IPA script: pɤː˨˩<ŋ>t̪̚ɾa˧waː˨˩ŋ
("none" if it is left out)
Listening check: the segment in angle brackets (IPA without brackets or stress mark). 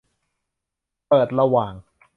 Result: none